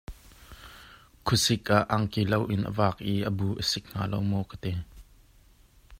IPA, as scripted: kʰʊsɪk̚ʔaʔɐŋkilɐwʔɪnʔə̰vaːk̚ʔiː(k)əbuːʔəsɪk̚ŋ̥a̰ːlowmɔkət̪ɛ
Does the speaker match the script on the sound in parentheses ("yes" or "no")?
no